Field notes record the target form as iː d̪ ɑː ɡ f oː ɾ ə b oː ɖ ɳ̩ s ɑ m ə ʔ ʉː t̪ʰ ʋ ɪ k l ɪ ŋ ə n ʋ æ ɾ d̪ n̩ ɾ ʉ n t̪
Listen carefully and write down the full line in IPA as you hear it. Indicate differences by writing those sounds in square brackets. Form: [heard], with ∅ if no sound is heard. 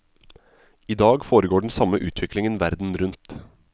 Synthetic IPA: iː d̪ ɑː ɡ f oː ɾ ə [ɡ] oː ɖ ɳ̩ s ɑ m ə ʔ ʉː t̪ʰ ʋ ɪ k l ɪ ŋ ə n ʋ æ ɾ d̪ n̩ ɾ ʉ n t̪